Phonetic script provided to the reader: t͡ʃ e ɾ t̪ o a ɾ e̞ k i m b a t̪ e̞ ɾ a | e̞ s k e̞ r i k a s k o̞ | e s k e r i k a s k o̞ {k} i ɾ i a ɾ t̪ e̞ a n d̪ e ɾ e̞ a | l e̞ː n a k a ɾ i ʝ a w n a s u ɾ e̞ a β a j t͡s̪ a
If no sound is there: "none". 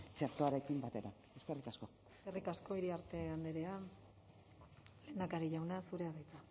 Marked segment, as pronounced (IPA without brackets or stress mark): none